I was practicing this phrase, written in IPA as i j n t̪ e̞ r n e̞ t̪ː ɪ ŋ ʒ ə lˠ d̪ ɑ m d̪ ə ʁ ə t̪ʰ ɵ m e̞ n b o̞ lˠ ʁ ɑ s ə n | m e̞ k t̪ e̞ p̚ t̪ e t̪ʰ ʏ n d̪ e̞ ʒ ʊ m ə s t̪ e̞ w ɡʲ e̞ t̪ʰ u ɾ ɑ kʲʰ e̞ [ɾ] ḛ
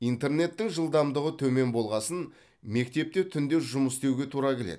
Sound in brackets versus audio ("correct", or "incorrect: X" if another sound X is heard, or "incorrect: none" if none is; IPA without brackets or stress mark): incorrect: l